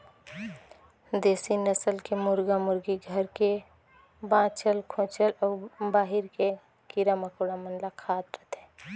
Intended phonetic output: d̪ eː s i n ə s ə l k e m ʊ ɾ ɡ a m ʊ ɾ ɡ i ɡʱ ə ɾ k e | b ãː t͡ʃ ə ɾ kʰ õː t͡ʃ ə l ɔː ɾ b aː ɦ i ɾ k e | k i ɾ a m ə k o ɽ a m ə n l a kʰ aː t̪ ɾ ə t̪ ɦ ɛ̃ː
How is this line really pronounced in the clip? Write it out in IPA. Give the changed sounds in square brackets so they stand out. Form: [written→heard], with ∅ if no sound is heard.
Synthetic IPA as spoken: d̪ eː s i n ə s ə l k e m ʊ ɾ ɡ a m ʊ ɾ ɡ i ɡʱ ə ɾ k e | b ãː t͡ʃ ə [ɾ→l] kʰ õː t͡ʃ ə l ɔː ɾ b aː ɦ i ɾ k e | k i ɾ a m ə k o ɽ a m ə n l a kʰ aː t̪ ɾ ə t̪ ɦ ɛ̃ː